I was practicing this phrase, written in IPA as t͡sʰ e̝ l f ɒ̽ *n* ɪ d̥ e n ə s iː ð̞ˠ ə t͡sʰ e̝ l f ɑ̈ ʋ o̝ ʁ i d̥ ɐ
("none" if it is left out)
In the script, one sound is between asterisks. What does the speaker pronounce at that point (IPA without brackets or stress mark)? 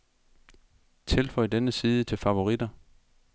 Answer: none